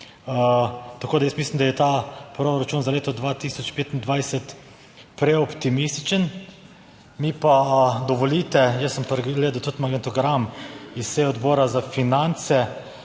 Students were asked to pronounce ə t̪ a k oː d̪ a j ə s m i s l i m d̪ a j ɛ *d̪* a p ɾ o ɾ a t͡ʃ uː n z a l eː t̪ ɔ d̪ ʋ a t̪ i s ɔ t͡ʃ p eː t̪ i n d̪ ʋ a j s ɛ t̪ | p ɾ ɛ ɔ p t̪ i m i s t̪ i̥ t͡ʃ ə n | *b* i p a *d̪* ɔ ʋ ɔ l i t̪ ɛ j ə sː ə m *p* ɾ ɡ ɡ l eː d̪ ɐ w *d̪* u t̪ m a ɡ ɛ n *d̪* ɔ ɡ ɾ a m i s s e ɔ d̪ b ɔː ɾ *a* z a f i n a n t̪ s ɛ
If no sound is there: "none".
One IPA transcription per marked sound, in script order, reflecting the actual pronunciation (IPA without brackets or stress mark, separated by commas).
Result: t̪, m, d̪, p, t̪, t̪, a